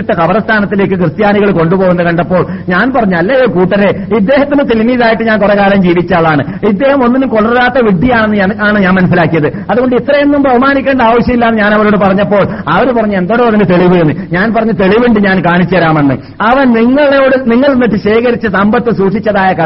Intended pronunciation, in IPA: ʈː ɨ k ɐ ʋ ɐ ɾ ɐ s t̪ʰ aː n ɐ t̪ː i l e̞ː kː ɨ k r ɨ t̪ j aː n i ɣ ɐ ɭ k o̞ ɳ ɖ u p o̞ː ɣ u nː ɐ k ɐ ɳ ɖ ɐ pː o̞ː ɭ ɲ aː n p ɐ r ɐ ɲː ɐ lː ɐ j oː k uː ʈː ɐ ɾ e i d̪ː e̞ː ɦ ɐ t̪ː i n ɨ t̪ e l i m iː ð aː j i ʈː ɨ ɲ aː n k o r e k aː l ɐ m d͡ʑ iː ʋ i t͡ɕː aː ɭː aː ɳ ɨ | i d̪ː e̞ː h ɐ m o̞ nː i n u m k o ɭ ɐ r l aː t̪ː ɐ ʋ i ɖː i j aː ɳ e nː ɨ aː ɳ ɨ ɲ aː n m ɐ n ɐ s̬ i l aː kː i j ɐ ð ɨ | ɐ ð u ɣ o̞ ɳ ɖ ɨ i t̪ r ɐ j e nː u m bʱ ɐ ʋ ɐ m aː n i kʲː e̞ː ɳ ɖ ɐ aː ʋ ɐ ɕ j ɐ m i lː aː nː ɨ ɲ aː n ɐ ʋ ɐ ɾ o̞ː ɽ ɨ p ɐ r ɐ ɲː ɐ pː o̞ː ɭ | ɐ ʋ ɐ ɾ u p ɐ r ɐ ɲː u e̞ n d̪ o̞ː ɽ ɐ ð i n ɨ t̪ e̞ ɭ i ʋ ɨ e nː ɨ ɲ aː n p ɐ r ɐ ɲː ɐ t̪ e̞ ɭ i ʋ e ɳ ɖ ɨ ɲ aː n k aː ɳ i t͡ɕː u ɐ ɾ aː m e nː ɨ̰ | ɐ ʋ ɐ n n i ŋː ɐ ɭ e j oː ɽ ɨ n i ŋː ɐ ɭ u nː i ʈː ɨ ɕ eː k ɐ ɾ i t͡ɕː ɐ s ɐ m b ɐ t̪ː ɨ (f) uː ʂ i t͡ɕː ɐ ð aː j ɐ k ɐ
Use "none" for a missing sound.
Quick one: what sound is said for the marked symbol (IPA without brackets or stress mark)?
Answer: s